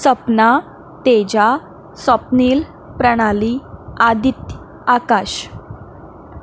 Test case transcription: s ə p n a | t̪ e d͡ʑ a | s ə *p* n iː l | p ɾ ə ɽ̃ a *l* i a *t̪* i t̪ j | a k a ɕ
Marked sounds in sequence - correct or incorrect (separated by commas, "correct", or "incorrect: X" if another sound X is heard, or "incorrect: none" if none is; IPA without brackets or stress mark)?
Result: correct, correct, incorrect: d̪